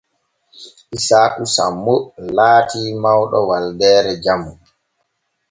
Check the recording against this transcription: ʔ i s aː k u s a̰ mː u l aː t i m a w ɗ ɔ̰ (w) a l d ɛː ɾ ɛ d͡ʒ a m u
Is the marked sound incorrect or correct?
correct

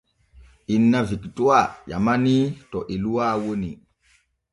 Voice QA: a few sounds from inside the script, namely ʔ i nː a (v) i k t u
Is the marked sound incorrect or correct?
correct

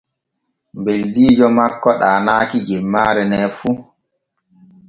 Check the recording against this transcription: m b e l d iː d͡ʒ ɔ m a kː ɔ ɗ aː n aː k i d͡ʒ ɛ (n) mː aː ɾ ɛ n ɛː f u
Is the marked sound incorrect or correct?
incorrect: none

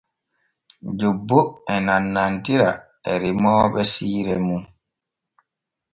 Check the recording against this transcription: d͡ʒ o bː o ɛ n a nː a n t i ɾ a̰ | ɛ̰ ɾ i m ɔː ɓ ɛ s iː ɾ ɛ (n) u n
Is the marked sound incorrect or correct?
incorrect: m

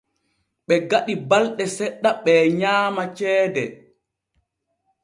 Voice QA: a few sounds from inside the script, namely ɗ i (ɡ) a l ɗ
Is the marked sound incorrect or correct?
incorrect: b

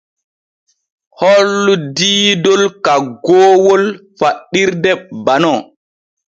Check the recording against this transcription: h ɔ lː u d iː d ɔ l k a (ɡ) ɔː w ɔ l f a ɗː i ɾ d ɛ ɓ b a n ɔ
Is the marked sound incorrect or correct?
correct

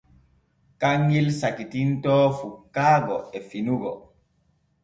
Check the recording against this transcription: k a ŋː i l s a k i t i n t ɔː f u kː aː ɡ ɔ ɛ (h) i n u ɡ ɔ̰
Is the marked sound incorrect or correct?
incorrect: f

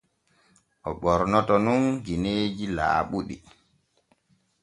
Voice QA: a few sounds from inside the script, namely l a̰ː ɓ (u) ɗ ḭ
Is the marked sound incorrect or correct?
correct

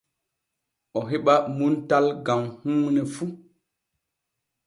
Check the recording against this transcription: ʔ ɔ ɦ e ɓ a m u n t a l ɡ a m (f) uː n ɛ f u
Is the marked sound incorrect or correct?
incorrect: h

